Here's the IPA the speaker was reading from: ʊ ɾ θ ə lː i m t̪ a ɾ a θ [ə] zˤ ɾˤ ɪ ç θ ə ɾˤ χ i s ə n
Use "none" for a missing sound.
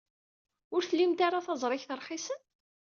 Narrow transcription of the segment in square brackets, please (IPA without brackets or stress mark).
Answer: ɑ